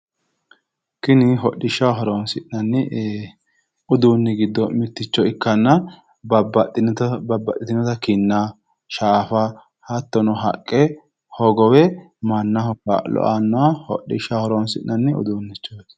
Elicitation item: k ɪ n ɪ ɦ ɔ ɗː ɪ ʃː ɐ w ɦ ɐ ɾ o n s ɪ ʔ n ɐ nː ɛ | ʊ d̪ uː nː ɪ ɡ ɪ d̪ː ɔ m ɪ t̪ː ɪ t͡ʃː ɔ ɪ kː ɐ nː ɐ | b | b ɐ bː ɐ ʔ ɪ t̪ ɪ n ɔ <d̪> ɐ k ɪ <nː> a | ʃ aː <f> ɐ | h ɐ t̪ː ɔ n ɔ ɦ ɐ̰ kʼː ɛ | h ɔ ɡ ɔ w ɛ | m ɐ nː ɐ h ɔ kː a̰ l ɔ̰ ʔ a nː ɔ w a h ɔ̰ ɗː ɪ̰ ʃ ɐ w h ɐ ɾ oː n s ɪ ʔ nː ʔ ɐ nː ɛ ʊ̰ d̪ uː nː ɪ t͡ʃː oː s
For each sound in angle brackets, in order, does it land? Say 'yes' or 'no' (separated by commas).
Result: no, yes, yes